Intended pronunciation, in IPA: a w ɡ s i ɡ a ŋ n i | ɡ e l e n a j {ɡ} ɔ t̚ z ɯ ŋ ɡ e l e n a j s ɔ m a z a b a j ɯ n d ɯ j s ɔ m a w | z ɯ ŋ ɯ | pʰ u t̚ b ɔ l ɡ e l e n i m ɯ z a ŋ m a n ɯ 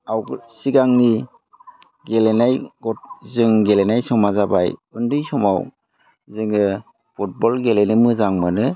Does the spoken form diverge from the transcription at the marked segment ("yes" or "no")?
no